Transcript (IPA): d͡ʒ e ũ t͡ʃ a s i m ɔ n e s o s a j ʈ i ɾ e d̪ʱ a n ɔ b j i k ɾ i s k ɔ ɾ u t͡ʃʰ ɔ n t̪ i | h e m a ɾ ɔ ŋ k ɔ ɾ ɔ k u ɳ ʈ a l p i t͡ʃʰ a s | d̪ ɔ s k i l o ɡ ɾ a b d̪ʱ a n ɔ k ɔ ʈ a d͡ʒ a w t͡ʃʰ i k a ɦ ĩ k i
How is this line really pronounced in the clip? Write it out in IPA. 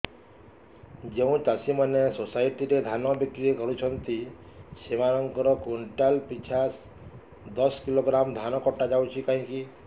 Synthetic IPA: d͡ʒ e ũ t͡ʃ a s i m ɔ n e s o s a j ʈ i ɾ e d̪ʱ a n ɔ b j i k ɾ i k ɔ ɾ u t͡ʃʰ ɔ n t̪ i | s e m a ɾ ɔ ŋ k ɔ ɾ ɔ k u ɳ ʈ a l p i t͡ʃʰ a s | d̪ ɔ s k i l o ɡ ɾ a m d̪ʱ a n ɔ k ɔ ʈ a d͡ʒ a w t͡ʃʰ i k a ɦ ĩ k i